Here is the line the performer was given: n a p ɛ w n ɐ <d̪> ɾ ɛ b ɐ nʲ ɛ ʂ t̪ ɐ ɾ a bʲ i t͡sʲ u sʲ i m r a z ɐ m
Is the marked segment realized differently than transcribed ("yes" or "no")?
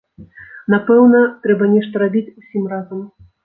yes